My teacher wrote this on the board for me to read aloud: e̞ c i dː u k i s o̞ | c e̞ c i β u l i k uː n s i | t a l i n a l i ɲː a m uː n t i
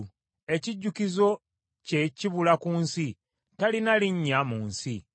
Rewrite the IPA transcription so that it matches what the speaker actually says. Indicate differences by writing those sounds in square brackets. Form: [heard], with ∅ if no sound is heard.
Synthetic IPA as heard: e̞ c i [ɟː] u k i [z] o̞ | c e̞ c i β u l [a] k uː n s i | t a l i n a l i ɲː a m uː n [s] i

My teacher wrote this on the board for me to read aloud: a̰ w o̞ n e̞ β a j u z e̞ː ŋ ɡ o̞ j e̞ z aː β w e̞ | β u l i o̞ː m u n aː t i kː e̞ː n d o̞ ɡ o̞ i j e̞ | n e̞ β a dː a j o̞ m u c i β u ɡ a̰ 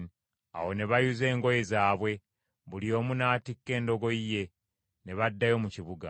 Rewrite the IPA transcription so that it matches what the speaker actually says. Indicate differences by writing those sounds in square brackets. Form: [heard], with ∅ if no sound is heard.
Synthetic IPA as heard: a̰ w o̞ n e̞ β a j u z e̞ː ŋ ɡ o̞ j e̞ z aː β w e̞ | β u l i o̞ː m u n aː t i kː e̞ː n d o̞ ɡ o̞ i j e̞ | n e̞ β a dː a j o̞ m u c i β u ɡ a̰

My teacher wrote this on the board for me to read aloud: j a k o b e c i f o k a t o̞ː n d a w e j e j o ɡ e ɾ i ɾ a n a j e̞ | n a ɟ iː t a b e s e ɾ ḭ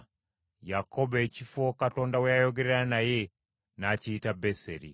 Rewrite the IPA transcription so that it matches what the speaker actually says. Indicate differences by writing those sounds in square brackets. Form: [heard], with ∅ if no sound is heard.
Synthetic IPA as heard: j a k o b e c i f o k a t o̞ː n d a w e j [a] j o ɡ e ɾ [e] ɾ a n a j e̞ | n a [c] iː t a b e s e ɾ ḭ

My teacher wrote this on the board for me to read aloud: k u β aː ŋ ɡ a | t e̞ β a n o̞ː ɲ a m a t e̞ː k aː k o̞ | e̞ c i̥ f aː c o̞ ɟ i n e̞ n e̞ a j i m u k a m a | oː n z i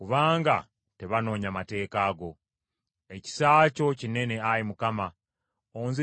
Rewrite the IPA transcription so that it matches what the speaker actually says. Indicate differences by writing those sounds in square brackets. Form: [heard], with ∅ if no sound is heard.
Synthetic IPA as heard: k u β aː ŋ ɡ a | t e̞ β a n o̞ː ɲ a m a t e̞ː k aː [ɡ] o̞ | e̞ c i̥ [s] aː c o̞ [c] i n e̞ n e̞ a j i m u k a m a | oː n z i

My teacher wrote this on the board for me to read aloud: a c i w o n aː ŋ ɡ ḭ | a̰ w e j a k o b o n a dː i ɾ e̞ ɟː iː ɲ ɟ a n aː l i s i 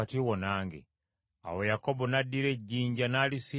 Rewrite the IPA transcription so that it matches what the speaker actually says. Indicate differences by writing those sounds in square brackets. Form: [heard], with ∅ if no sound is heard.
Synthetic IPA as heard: a [t] i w o n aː ŋ ɡ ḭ | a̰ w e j a k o b o n a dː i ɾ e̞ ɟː iː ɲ ɟ a n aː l i s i

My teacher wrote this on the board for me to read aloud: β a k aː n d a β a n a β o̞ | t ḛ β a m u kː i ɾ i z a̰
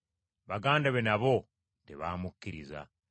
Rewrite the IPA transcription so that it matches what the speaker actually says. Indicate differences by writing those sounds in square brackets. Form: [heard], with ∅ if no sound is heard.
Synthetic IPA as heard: β a [ɡ] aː n d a β [e] n a β o̞ | t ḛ β a m u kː i ɾ i z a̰

